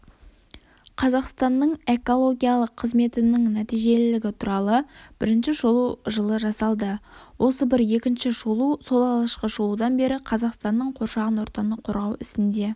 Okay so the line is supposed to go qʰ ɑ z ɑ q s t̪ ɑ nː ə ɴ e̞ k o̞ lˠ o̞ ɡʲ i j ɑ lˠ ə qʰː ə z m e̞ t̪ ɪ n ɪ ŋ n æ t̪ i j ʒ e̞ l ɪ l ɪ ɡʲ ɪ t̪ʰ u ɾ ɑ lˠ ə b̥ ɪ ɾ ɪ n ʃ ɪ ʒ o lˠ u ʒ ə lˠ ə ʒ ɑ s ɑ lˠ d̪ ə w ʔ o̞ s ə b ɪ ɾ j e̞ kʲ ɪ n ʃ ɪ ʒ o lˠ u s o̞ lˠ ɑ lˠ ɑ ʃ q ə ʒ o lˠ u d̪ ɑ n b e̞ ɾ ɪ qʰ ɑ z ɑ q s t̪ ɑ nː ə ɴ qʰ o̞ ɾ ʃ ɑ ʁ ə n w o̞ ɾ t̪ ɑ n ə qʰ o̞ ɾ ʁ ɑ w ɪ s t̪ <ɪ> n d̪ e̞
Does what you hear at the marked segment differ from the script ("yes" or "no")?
no